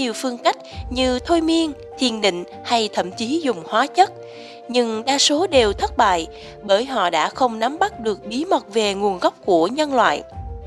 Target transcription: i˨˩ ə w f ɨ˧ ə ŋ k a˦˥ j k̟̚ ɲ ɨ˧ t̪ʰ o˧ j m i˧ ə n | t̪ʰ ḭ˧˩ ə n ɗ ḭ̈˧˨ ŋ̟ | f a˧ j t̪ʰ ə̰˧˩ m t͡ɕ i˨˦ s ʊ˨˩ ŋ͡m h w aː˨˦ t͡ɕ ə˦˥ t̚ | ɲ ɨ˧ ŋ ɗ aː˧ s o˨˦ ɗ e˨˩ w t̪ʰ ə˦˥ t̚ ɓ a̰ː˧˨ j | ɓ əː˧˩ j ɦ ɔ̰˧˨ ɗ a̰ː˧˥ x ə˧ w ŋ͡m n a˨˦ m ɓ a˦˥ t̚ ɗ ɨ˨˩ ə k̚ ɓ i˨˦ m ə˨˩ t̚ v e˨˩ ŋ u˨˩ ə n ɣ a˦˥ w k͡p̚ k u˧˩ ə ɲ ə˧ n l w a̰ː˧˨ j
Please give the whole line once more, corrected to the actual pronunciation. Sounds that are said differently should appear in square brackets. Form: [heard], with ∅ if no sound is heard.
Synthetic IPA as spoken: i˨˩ ə w f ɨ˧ ə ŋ k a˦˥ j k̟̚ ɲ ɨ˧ t̪ʰ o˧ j m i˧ ə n | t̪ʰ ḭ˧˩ ə n ɗ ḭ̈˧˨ ŋ̟ | [h] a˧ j t̪ʰ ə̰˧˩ m t͡ɕ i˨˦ [z] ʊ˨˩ ŋ͡m h w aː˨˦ t͡ɕ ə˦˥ t̚ | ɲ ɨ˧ ŋ ɗ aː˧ s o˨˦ ɗ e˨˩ w t̪ʰ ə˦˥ t̚ ɓ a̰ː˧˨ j | ɓ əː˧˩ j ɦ ɔ̰˧˨ ɗ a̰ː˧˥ x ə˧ w ŋ͡m n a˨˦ m ɓ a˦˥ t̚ ɗ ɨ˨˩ ə k̚ ɓ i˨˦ m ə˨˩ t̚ v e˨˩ ŋ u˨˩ ə n ɣ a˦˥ w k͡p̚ k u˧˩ ə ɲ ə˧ n l w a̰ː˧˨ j